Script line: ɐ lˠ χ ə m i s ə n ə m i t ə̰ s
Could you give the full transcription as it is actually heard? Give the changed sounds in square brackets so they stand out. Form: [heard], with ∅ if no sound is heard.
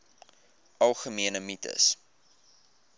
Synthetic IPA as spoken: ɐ lˠ χ ə m i [∅] ə n ə m i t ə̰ s